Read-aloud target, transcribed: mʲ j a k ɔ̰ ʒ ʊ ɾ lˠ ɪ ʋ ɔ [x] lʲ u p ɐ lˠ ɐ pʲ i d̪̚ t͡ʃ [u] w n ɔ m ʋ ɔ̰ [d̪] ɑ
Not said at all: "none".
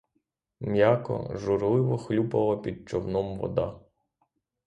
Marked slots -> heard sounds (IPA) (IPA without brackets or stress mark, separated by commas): x, ɔ, d̪